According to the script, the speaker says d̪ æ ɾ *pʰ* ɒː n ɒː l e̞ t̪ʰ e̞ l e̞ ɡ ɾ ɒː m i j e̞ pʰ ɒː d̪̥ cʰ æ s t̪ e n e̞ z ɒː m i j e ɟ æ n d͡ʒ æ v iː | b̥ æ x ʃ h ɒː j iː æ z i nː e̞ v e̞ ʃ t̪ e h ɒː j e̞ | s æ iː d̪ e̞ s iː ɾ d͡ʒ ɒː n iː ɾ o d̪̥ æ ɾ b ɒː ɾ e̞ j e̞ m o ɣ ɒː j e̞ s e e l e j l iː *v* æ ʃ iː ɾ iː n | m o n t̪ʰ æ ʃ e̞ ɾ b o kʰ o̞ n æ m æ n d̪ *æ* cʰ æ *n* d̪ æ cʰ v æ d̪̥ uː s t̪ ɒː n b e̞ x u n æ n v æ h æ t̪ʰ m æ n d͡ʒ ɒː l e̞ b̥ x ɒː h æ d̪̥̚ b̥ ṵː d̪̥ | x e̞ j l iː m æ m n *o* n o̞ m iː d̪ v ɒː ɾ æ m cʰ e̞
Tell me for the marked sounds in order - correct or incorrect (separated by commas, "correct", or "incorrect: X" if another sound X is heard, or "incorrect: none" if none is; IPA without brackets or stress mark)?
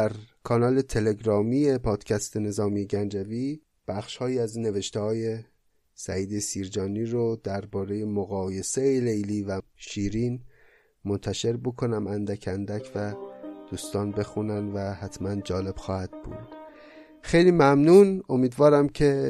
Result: incorrect: kʰ, correct, correct, correct, incorrect: u